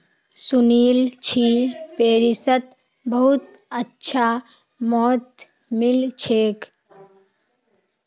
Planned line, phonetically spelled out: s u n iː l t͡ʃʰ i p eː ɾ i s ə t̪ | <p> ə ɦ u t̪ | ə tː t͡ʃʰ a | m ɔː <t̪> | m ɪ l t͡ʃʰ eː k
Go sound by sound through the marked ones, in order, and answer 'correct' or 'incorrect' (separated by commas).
incorrect, correct